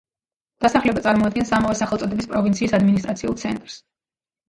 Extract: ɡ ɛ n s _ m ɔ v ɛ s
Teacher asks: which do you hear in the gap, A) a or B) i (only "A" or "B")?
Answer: A